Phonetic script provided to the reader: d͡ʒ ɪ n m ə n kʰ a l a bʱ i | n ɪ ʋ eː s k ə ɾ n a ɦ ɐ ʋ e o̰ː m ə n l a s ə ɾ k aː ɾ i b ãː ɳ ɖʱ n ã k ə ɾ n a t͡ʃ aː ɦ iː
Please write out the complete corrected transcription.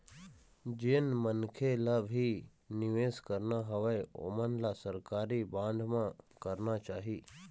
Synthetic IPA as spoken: d͡ʒ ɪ n m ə n kʰ e l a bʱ i | n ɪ ʋ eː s k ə ɾ n a ɦ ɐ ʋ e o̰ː m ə n l a s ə ɾ k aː ɾ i b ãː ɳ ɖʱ m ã k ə ɾ n a t͡ʃ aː ɦ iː

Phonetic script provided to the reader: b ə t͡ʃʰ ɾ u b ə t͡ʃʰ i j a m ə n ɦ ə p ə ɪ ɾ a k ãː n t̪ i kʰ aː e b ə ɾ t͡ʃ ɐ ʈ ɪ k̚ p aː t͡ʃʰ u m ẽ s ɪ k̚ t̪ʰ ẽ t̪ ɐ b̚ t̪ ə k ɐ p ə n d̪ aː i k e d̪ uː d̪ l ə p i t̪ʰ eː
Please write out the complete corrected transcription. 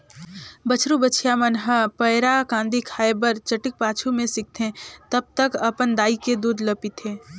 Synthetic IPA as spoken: b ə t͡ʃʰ ɾ u b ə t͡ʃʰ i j a m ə n ɦ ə p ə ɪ ɾ a k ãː n d̪ i kʰ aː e b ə ɾ t͡ʃ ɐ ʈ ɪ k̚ p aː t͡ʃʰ u m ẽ s ɪ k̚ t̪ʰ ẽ t̪ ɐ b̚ t̪ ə k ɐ p ə n d̪ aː i k e d̪ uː d̪ l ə p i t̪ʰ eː

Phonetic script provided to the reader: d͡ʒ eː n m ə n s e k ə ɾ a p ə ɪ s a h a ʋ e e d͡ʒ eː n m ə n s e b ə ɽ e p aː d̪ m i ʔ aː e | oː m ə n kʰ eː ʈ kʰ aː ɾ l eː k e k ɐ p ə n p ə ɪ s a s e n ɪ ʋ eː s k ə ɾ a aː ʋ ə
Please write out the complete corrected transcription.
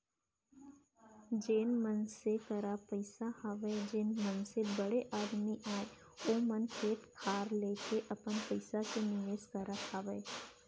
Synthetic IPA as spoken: d͡ʒ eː n m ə n s e k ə ɾ a p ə ɪ s a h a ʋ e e d͡ʒ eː n m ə n s e b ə ɽ e ʔ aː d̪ m i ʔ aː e | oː m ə n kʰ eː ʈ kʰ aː ɾ l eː k e ʔ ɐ p ə n p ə ɪ s a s e n ɪ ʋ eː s k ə ɾ a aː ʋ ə

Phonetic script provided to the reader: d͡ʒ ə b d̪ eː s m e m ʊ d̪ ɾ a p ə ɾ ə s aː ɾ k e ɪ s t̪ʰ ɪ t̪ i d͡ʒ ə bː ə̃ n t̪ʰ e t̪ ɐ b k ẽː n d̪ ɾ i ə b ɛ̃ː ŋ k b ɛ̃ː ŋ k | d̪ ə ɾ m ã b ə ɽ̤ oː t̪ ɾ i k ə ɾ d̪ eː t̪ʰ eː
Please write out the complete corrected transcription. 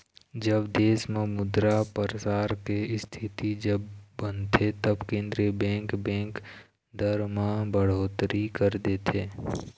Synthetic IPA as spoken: d͡ʒ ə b d̪ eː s m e m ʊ d̪ ɾ a p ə ɾ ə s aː ɾ k e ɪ s t̪ʰ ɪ t̪ i d͡ʒ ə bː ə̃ n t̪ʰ e t̪ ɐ b k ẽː n d̪ ɾ i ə b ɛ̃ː ŋ k b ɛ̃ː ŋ k | d̪ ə ɾ m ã b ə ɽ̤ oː t̪ ɾ i k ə ɾ d̪ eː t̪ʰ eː

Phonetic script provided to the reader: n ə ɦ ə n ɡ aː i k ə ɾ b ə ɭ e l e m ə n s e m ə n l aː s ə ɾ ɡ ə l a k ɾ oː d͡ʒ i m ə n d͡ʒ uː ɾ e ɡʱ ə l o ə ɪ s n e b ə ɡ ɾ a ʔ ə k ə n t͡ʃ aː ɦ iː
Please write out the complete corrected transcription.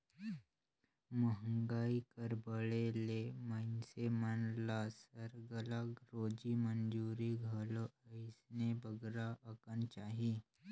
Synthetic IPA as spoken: m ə ɦ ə ŋ ɡ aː i k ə ɾ b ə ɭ e l e m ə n s e m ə n l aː s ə ɾ ɡ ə l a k ɾ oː d͡ʒ i m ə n d͡ʒ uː ɾ i ɡʱ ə l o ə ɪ s n e b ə ɡ ɾ a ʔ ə k ə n t͡ʃ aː ɦ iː

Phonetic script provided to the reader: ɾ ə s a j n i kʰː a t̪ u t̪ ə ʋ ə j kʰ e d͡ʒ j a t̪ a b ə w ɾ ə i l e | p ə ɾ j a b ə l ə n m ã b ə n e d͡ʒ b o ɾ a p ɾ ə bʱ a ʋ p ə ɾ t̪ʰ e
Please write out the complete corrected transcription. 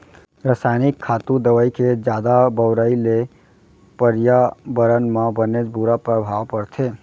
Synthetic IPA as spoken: ɾ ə s a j n i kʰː a t̪ u d̪ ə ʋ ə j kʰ e d͡ʒ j a d̪ a b ə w ɾ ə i l e | p ə ɾ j a b ə ɾ ə n m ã b ə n e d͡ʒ b u ɾ a p ɾ ə bʱ a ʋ p ə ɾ t̪ʰ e

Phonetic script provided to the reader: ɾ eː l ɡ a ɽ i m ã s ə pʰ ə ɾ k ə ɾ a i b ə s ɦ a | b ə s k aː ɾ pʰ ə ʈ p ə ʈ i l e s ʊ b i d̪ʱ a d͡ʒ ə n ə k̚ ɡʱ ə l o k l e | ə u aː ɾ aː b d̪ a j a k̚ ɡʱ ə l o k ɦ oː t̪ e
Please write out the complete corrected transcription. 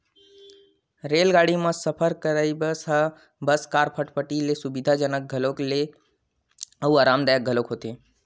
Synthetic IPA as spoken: ɾ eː l ɡ a ɽ i m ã s ə pʰ ə ɾ k ə ɾ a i b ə s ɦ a | b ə s k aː ɾ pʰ ə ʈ p ə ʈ i l e s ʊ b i d̪ʱ a d͡ʒ ə n ə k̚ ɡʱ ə l o k l e | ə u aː ɾ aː m d̪ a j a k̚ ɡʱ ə l o k ɦ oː t̪ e

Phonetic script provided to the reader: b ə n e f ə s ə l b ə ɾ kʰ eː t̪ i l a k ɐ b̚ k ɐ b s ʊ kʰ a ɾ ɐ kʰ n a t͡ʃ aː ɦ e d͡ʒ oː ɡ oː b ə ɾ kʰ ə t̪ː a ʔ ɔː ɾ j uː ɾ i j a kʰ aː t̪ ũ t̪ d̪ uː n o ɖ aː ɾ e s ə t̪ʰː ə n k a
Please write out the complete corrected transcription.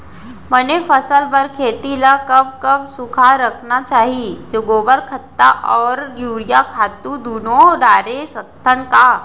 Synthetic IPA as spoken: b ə n e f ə s ə l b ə ɾ kʰ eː t̪ i l a k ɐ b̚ k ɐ b s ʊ kʰ a ɾ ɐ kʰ n a t͡ʃ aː ɦ i d͡ʒ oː ɡ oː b ə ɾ kʰ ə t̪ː a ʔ ɔː ɾ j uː ɾ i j a kʰ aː t̪ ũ d̪ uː n o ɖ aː ɾ e s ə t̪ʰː ə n k a

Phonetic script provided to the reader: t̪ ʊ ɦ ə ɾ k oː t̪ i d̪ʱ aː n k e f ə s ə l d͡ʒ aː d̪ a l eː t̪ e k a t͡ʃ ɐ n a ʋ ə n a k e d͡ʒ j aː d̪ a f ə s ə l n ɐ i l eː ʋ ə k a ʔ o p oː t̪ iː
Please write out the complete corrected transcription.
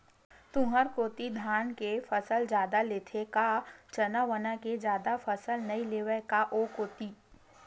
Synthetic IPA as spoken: t̪ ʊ ɦ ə ɾ k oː t̪ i d̪ʱ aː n k e f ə s ə l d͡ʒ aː d̪ a l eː t̪ʰ e k a t͡ʃ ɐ n a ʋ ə n a k e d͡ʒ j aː d̪ a f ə s ə l n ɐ i l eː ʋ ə k a ʔ o k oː t̪ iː

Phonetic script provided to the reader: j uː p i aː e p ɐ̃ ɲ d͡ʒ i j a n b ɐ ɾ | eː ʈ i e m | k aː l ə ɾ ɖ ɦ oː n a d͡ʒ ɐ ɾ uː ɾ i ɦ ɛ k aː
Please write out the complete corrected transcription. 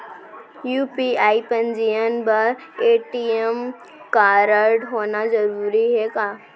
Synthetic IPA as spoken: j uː p i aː i p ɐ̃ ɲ d͡ʒ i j ə n b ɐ ɾ | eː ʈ i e m | k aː ɾ ə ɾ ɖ ɦ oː n a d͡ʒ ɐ ɾ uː ɾ i ɦ ɛ k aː

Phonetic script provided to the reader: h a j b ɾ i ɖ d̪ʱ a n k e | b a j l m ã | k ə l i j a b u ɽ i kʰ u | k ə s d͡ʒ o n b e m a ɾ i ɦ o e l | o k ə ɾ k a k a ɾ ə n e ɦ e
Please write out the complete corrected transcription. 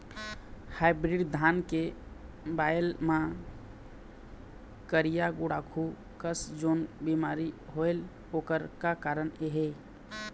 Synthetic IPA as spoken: h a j b ɾ i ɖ d̪ʱ a n k e | b a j l m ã | k ə ɾ i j a ɡ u ɽ a kʰ u | k ə s d͡ʒ o n b i m a ɾ i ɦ o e l | o k ə ɾ k a k a ɾ ə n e ɦ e

